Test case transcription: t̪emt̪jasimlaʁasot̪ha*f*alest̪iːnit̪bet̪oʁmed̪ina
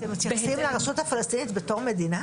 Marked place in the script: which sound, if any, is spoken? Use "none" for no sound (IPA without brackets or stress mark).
f